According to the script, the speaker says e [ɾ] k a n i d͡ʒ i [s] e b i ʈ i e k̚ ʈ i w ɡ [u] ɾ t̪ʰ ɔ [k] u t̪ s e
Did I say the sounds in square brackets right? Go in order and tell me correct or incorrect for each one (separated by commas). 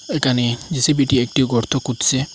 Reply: incorrect, correct, incorrect, correct